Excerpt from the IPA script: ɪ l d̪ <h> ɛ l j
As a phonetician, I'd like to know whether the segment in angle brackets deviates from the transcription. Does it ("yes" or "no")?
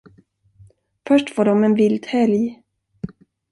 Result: no